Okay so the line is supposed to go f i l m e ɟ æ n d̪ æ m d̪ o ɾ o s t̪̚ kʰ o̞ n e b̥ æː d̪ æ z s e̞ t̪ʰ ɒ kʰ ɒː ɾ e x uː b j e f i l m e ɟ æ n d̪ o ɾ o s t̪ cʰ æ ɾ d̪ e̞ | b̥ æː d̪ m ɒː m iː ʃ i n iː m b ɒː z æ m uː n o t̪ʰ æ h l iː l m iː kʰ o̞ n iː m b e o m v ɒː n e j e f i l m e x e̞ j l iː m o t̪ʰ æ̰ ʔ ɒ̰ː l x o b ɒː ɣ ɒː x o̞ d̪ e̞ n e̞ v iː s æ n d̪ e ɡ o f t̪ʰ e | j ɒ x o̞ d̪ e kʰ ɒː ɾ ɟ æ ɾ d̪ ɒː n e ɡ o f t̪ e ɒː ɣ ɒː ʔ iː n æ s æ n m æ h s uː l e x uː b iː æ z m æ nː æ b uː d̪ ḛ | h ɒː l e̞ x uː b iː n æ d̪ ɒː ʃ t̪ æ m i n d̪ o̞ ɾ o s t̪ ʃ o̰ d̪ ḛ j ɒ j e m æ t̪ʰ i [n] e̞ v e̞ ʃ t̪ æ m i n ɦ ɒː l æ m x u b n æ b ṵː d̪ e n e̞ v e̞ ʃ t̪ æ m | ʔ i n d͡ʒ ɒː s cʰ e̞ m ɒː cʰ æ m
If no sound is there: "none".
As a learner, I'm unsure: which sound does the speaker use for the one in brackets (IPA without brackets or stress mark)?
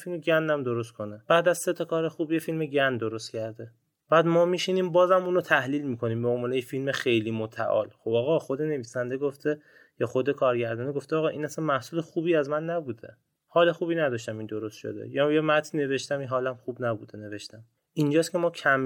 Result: n